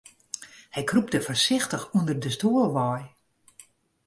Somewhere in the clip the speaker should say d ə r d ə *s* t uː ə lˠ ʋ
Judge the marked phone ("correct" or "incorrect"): correct